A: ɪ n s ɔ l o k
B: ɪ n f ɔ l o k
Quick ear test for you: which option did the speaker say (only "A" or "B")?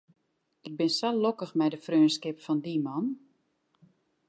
A